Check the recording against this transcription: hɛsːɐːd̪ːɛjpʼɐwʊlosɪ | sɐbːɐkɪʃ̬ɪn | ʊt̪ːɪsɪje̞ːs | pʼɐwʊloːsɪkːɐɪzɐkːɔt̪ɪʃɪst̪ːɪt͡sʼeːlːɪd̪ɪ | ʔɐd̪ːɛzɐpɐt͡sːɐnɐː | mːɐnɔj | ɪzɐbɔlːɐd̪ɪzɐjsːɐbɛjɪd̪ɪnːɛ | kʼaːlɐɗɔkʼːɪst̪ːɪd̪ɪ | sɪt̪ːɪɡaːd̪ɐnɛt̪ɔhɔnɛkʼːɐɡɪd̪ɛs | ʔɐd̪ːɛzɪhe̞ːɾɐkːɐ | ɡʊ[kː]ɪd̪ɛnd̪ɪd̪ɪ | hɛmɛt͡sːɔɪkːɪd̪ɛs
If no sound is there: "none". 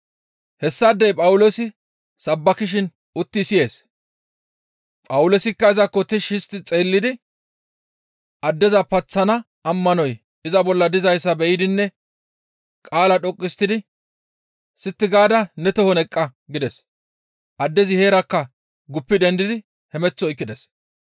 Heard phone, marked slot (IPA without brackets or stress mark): pː